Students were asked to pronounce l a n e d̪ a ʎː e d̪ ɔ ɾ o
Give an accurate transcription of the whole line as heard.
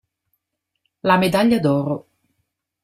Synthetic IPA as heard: l a m e d̪ a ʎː a d̪ ɔː ɾ o